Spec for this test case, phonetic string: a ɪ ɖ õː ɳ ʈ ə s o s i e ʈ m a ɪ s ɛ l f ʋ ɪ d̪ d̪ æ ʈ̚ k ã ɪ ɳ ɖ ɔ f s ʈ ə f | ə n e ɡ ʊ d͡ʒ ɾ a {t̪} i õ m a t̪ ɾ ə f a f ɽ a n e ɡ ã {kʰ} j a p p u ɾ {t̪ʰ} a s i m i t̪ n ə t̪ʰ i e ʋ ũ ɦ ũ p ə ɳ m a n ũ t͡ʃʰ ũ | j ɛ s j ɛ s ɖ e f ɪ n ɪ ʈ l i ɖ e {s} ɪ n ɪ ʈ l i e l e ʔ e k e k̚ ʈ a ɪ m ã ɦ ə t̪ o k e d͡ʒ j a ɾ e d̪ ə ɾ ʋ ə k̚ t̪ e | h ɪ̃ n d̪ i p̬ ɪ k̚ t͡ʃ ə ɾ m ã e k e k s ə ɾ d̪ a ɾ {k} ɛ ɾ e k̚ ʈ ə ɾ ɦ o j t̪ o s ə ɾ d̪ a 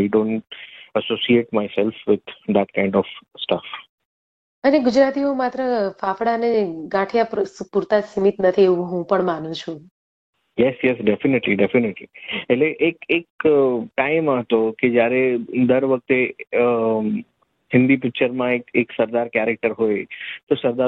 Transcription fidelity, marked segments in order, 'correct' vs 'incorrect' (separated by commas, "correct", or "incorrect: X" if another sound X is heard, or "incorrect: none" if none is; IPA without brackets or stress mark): correct, incorrect: ʈʰ, incorrect: t̪, incorrect: f, correct